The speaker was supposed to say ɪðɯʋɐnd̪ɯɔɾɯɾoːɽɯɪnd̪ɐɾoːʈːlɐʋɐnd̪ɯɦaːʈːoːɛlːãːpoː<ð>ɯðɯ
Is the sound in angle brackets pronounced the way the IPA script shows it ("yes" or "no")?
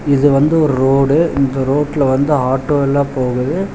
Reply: no